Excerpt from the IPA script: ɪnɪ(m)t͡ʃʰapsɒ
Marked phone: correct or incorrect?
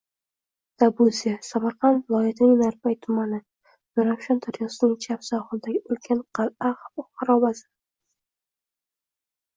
incorrect